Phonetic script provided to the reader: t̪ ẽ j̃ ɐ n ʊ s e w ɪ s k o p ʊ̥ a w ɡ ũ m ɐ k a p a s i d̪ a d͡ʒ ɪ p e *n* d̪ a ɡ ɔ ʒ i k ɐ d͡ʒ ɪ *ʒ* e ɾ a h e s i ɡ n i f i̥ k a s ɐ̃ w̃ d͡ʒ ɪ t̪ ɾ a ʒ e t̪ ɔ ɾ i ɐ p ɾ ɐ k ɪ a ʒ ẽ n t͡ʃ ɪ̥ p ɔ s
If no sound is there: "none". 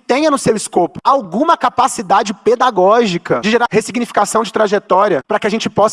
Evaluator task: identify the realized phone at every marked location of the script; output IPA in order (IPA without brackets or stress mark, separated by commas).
none, ʒ